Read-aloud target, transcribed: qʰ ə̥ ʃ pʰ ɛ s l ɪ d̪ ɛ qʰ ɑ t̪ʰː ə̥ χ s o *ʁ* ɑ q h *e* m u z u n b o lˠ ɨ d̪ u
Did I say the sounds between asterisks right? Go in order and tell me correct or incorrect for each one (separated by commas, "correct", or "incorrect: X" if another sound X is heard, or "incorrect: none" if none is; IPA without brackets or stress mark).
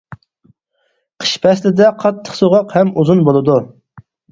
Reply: correct, incorrect: ɛ